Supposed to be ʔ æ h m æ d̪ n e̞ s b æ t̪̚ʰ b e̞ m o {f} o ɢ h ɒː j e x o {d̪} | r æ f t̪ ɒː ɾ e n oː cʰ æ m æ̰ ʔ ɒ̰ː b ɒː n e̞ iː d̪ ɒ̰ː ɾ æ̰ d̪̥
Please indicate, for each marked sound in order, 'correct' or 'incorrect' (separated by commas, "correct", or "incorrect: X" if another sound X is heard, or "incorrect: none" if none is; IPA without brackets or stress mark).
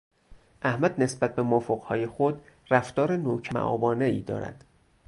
correct, correct